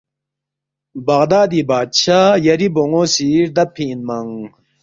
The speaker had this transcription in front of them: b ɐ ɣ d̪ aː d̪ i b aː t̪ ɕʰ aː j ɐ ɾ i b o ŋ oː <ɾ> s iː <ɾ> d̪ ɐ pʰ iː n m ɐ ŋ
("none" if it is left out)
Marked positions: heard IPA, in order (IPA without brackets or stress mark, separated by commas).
none, ɾ